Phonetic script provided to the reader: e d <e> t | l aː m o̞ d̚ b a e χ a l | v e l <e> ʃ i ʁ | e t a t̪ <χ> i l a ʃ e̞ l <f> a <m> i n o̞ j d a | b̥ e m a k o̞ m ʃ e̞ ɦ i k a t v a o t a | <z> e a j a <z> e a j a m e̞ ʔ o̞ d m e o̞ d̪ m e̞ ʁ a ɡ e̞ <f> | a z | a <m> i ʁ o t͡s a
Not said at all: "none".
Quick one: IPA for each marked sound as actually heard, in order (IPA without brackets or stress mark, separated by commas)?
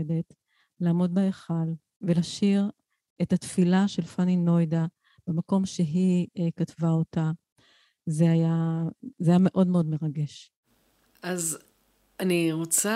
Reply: e, a, f, f, n, z, z, ʃ, n